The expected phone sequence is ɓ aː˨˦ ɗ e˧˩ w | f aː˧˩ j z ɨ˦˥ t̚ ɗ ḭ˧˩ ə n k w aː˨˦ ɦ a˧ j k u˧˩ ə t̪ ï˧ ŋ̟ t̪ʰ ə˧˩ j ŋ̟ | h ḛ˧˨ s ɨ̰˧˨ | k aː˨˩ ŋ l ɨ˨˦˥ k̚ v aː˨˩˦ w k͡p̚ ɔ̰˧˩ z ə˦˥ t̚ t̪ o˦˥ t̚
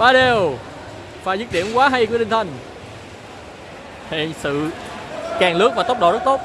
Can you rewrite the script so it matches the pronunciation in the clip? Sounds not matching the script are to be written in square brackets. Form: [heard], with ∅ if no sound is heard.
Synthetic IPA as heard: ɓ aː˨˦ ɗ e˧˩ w | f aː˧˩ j z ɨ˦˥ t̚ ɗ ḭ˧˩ ə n k w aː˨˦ ɦ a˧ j k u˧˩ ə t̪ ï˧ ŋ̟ t̪ʰ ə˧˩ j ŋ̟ | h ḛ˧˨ s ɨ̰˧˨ | k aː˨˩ ŋ l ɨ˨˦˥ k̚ v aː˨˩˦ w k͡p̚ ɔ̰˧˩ z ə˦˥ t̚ t̪ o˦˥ t̚